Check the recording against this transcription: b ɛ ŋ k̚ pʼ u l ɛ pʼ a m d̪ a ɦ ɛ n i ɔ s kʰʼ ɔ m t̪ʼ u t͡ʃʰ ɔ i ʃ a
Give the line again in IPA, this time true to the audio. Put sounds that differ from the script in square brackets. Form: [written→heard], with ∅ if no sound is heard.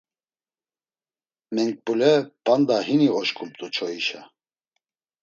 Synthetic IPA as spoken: [b→m] ɛ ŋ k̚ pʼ u l ɛ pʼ a [m→n] d̪ a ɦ [ɛ→i] n i ɔ [s→ʃ] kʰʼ [ɔ→u] m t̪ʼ u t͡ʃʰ ɔ i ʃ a

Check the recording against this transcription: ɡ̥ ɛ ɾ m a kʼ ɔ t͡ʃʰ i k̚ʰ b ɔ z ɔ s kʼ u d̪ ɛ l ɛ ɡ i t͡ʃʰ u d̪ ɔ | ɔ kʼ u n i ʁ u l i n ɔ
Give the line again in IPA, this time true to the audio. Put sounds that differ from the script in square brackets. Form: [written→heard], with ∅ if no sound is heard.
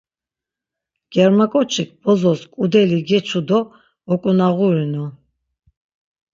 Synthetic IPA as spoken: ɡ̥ ɛ ɾ m a kʼ ɔ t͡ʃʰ i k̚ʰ b ɔ z ɔ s kʼ u d̪ ɛ l [ɛ→i] ɡ [i→ɛ] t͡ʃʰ u d̪ ɔ | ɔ kʼ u n [i→a] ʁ u [l→ɾ] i n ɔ

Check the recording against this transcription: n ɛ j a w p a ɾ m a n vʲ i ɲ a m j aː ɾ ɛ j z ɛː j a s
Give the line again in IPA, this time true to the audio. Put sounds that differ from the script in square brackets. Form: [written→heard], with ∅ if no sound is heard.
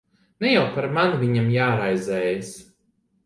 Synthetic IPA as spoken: n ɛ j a w p a ɾ m a n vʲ i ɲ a m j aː ɾ [ɛ→a] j z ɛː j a s

